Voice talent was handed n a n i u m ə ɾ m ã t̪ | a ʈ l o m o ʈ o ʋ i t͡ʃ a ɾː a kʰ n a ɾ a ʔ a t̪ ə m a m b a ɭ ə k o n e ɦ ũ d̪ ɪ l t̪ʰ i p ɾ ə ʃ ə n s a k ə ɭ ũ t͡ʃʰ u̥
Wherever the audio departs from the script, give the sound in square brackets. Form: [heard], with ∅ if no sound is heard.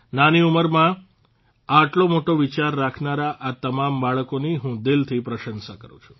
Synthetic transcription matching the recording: n a n i u m ə ɾ m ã [∅] | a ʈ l o m o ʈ o ʋ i t͡ʃ a ɾː a kʰ n a ɾ a ʔ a t̪ ə m a m b a ɭ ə k o n [i] ɦ ũ d̪ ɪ l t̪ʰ i p ɾ ə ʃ ə n s a k ə [ɾ] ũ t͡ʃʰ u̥

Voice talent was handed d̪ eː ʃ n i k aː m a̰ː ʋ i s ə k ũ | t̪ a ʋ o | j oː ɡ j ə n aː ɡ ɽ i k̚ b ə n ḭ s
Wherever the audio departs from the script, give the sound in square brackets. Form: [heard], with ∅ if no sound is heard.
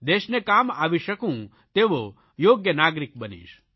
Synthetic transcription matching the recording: d̪ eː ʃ n [e] k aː m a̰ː ʋ i [ʃ] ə k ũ | t̪ [e] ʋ o | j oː ɡ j ə n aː ɡ [ɾ] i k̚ b ə n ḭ [ʃ]

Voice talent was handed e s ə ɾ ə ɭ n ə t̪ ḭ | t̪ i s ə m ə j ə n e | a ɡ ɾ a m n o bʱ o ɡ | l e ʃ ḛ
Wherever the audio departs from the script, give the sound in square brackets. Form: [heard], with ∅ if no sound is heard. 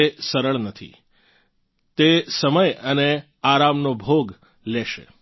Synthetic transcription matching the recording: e s ə ɾ ə ɭ n ə [t̪ʰ] ḭ | t̪ [e] s ə m ə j ə n e | a [∅] ɾ a m n o bʱ o ɡ | l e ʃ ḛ

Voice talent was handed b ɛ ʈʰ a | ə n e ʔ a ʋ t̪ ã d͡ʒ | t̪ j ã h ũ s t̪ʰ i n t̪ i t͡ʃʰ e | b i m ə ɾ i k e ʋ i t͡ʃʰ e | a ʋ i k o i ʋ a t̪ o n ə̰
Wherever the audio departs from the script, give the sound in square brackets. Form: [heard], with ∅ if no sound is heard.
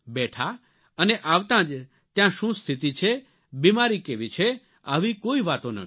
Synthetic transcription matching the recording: b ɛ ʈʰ a | ə n e ʔ a ʋ t̪ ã d͡ʒ | t̪ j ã [ʃ] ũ s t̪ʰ i [∅] t̪ i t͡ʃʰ e | b i m [a] ɾ i k e ʋ i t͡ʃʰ e | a ʋ i k o i ʋ a t̪ o n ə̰

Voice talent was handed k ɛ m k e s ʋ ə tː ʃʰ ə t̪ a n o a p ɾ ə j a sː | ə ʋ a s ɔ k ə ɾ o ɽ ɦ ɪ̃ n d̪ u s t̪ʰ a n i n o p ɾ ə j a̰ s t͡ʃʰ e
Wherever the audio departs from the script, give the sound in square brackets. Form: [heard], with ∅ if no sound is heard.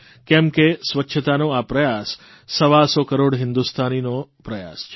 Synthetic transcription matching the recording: k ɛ m k e s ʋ ə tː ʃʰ ə t̪ a n o a p ɾ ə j a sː | ə ʋ a s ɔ k ə ɾ o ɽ ɦ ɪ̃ n d̪ u s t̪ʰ a n i n o p ɾ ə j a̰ s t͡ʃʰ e

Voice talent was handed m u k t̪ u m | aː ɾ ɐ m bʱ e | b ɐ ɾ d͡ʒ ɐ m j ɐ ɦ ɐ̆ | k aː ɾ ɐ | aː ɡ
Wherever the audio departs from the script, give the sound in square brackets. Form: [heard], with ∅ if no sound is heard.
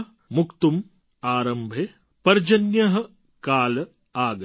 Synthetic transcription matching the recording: m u k t̪ u m | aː ɾ ɐ m bʱ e | [p] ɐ ɾ d͡ʒ ɐ [n] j ɐ ɦ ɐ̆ | k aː [l] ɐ | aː ɡ

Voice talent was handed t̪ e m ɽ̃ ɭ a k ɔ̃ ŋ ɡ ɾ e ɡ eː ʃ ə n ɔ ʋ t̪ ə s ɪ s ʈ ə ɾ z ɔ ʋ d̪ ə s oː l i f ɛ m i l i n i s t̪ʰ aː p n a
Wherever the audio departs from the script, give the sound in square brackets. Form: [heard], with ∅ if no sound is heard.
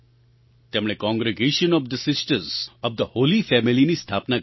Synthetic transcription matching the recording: t̪ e m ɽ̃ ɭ [e] k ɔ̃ ŋ ɡ ɾ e ɡ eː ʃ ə n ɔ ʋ [d̪] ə s ɪ s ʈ ə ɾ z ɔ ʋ d̪ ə [h] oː l i f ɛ m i l i n i s t̪ʰ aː p n a

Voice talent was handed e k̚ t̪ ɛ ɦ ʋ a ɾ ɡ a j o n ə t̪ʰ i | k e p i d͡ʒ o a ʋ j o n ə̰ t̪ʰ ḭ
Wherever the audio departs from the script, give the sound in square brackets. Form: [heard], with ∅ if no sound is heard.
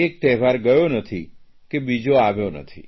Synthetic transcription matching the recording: e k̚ t̪ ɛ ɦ ʋ a ɾ ɡ [ə] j o n ə t̪ʰ i | k e [b] i d͡ʒ o a ʋ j o n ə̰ t̪ʰ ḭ

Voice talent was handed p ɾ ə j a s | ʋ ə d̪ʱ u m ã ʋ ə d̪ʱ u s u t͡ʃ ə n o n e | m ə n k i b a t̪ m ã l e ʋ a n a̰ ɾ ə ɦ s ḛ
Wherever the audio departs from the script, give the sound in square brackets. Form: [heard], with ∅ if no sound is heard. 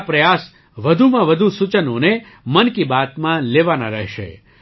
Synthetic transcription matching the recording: p ɾ ə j a s | ʋ ə d̪ʱ u m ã ʋ ə d̪ʱ u s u t͡ʃ ə n o n e | m ə n k i b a t̪ m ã l e ʋ a n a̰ ɾ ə ɦ [ʃ] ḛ

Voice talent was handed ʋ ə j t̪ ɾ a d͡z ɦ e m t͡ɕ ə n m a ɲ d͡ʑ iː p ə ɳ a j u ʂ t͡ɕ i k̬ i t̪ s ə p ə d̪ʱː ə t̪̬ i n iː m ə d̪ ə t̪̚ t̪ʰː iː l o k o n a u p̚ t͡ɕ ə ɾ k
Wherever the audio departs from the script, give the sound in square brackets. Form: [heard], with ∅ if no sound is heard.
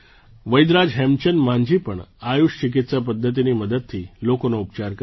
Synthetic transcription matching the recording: ʋ ə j [d̪] ɾ a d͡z ɦ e m t͡ɕ ə n m a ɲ d͡ʑ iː p ə ɳ a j u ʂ t͡ɕ i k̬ i t̪ s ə p ə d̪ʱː ə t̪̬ i n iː m ə d̪ ə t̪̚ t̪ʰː iː l o k o n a u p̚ t͡ɕ [a] ɾ k

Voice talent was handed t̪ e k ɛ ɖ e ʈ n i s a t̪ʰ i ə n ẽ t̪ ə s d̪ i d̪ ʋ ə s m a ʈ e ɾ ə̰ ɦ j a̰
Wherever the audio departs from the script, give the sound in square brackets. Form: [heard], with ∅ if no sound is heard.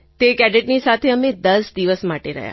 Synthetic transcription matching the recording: t̪ e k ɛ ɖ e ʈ n i s a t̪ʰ [e] ə [m] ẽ [d̪] ə s d̪ i [∅] ʋ ə s m a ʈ e ɾ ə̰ ɦ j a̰

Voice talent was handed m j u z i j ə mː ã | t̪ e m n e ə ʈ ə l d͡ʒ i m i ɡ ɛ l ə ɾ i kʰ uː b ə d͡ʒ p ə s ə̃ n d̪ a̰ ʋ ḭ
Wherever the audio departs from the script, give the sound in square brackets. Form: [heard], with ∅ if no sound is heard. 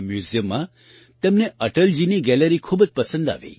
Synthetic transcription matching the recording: m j u z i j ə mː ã | t̪ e m n e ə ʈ ə l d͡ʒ i [n] i ɡ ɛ l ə ɾ i kʰ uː b ə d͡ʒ p ə s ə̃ n d̪ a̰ ʋ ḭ

